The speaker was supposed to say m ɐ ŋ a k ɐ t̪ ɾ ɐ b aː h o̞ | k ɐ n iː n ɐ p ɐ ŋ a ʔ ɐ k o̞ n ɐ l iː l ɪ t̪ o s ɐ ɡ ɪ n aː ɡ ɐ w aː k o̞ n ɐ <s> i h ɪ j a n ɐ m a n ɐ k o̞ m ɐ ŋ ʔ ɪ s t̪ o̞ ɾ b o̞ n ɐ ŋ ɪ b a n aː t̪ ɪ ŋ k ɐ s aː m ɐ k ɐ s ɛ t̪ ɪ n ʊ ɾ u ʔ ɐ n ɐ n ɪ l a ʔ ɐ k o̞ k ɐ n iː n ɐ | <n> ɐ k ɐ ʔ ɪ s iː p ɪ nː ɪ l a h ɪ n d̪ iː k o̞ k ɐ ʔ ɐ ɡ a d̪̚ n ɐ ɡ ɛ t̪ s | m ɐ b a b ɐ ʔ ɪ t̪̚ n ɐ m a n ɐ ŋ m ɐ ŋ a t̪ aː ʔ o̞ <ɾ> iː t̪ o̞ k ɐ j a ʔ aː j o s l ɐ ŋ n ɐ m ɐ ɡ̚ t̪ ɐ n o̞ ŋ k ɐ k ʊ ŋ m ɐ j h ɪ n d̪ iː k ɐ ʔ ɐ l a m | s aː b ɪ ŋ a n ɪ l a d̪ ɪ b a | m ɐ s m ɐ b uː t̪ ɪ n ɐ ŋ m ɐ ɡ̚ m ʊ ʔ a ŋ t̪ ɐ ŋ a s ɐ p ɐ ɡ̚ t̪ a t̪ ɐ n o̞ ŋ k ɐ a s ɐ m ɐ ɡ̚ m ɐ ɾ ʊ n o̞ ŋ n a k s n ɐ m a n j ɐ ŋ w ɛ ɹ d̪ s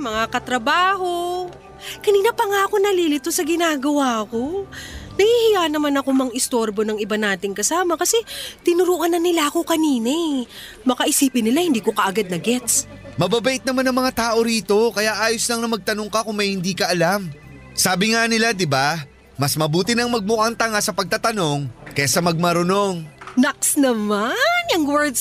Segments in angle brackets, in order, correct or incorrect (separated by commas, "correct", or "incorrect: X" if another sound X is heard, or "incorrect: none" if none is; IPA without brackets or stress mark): incorrect: h, incorrect: m, correct